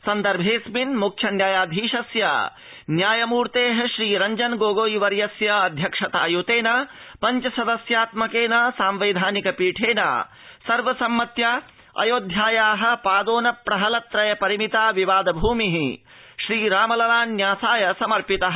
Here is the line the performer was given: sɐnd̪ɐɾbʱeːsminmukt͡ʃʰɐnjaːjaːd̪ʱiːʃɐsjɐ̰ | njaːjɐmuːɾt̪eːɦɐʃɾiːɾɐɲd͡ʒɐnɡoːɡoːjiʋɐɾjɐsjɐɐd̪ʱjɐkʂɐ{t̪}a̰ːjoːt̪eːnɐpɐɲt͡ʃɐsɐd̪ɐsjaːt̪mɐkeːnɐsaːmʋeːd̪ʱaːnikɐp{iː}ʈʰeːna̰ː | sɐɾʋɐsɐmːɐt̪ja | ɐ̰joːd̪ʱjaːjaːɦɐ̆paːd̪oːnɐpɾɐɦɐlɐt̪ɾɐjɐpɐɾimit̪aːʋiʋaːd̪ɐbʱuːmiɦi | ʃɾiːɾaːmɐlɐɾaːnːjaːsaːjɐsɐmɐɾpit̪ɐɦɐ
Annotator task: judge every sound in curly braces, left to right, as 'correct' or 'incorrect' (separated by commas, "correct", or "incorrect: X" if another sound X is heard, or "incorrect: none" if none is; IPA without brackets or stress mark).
correct, correct